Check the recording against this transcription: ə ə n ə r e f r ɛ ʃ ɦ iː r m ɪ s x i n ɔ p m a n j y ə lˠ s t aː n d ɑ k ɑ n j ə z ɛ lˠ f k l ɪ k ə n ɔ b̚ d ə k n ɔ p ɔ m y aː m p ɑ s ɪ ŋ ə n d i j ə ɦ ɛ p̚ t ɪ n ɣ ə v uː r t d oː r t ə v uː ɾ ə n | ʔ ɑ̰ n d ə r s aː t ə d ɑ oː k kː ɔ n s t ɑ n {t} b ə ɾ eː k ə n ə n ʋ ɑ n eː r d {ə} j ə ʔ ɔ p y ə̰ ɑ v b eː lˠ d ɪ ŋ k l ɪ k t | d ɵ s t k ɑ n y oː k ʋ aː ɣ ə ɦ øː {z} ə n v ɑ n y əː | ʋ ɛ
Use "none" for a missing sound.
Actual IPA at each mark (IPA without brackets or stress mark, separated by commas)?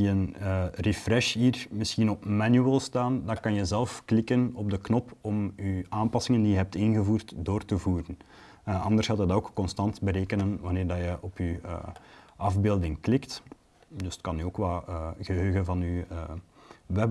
t, ɑ, ɣ